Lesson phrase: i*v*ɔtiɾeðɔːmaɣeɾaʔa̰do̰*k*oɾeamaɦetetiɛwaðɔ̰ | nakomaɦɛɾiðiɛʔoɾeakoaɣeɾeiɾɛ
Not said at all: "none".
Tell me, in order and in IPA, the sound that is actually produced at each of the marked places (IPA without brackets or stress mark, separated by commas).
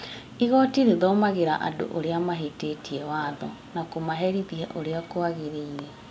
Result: ɣ, ʔ